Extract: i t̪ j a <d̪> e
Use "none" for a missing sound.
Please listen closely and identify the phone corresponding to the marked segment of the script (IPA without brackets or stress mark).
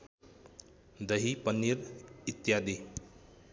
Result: d̪